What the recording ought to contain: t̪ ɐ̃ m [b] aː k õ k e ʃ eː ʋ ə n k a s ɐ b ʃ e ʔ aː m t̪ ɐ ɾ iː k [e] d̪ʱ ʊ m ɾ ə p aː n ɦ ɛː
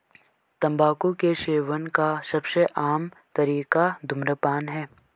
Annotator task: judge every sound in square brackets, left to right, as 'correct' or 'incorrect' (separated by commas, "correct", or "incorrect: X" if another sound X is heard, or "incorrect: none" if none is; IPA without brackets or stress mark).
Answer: correct, incorrect: a